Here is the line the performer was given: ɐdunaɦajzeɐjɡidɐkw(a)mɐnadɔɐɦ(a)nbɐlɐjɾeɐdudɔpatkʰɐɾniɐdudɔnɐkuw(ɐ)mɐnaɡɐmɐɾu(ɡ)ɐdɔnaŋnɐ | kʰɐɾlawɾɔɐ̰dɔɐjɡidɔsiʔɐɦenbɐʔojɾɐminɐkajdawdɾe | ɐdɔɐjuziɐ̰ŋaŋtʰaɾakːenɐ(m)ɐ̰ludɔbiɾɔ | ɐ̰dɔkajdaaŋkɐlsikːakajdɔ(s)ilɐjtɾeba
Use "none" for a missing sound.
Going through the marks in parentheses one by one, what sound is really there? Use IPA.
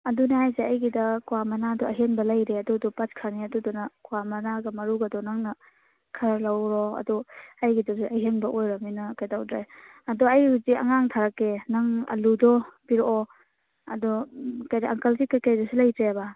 a, e, a, ɡ, ŋ, s

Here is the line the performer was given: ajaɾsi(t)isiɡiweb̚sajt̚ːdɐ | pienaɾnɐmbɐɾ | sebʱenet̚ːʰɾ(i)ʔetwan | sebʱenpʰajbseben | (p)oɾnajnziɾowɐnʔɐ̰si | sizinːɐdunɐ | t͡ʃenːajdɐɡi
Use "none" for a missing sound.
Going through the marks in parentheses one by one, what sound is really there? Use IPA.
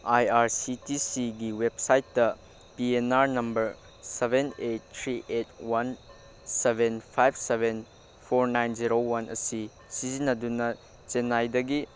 t, i, pʰ

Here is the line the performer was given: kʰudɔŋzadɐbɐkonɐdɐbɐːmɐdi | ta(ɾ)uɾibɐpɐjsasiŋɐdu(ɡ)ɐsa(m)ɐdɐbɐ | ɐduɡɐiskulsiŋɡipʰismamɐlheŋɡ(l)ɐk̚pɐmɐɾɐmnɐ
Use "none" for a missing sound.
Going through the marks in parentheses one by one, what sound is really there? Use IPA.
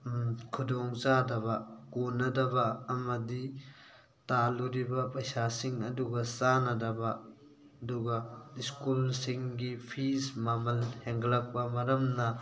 l, ɡ, n, l

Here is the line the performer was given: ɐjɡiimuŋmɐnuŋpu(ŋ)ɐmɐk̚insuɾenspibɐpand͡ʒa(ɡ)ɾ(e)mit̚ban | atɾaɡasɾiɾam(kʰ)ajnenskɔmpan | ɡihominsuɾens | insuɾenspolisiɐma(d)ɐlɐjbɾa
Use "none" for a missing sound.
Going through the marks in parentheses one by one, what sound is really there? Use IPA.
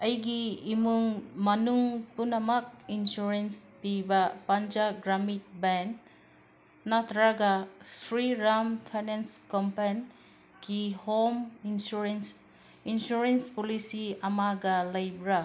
n, ɡ, a, pʰ, ɡ

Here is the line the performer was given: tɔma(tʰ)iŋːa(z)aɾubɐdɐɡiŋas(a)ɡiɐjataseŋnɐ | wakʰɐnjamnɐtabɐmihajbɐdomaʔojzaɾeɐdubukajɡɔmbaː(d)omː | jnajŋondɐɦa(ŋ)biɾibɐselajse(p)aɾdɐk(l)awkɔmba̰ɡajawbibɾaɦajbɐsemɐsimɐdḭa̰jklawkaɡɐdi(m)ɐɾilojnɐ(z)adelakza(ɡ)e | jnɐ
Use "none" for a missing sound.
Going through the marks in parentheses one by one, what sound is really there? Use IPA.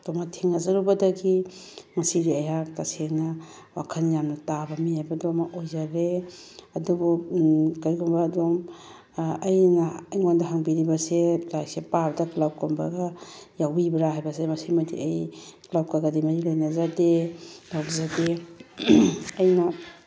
tʰ, z, i, d, ŋ, p, l, m, z, d

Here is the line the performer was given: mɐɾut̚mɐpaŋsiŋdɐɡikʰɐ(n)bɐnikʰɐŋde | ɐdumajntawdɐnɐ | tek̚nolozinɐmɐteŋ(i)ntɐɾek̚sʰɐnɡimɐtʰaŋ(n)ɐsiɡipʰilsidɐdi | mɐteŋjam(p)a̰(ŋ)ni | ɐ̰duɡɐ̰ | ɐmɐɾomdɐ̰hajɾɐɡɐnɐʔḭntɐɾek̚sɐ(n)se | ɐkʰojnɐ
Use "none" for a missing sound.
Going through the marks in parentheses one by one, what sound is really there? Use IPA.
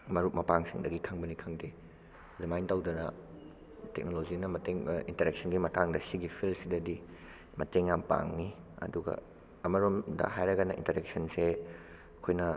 ŋ, i, d, p, ŋ, n

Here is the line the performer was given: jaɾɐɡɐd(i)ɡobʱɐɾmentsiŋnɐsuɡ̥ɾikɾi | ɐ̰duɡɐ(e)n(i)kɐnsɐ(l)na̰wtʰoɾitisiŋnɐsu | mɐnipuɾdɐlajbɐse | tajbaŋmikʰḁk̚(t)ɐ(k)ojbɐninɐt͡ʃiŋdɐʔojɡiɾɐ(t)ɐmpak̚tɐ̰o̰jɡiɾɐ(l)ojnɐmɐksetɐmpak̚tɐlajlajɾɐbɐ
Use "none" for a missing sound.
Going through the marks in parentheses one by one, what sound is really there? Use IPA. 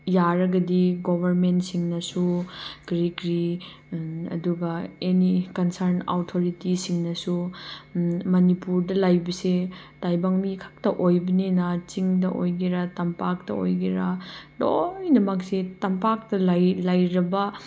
i, e, i, ɾ, t, ʔ, t, l

